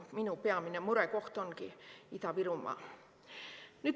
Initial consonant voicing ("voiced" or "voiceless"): voiced